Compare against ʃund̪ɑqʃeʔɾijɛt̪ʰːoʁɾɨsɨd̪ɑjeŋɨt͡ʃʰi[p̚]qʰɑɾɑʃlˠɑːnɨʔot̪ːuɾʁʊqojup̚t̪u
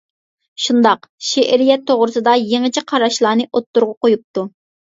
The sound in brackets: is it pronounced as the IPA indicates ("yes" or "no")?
no